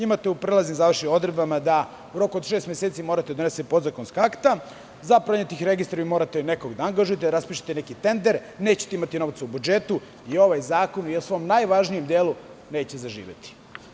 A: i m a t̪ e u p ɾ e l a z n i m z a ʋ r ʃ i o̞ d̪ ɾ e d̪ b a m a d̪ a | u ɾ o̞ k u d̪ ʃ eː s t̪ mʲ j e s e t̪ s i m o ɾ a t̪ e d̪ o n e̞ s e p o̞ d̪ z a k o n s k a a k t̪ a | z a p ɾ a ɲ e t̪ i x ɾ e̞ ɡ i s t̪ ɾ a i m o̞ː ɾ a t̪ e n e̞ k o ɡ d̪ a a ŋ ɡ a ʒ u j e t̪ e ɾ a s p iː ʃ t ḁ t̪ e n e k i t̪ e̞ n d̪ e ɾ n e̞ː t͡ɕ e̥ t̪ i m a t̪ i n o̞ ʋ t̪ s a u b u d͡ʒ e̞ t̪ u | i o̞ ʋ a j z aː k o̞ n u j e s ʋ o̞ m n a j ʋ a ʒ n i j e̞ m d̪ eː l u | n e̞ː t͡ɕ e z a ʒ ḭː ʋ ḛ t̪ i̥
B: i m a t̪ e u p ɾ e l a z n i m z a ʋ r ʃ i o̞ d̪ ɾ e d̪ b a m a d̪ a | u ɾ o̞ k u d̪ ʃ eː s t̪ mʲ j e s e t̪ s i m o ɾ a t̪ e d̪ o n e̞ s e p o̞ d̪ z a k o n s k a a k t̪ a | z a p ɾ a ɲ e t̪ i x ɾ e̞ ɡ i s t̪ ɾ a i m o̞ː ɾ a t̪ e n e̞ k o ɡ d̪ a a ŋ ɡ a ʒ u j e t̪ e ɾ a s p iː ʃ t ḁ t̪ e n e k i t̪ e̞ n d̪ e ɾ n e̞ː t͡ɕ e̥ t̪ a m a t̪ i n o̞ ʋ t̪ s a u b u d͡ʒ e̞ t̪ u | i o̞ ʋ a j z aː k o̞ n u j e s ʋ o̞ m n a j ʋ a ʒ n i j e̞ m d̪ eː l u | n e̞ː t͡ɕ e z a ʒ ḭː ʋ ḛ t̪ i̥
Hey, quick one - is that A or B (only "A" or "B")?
A